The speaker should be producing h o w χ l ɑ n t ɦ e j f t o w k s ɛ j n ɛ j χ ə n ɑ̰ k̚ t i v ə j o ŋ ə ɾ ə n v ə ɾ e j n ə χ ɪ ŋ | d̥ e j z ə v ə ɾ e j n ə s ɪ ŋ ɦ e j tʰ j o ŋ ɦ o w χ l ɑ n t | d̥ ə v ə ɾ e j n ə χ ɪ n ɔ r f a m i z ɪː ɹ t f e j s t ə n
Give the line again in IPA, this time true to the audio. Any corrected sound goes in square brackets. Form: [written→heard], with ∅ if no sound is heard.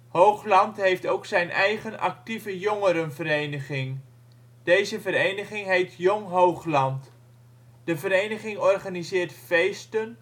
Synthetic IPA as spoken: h o w χ l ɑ n t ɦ e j f t o w k s ɛ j n ɛ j χ ə n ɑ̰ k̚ t i v ə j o ŋ ə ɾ ə n v ə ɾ e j n ə χ ɪ ŋ | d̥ e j z ə v ə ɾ e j n ə [s→χ] ɪ ŋ ɦ e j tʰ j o ŋ ɦ o w χ l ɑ n t | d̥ ə v ə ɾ e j n ə χ ɪ [n→ŋ] ɔ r [f→χ] a [m→n] i z ɪː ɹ t f e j s t ə n